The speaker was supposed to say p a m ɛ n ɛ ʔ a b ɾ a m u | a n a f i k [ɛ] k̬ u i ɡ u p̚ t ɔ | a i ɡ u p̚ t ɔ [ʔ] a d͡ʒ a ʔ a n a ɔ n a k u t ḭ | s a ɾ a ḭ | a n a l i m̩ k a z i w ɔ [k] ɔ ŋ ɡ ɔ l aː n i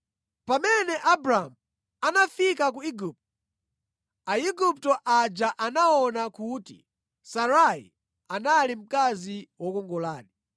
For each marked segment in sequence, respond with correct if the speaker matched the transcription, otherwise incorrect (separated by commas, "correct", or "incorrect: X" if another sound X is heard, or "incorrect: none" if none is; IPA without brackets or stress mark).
incorrect: a, correct, correct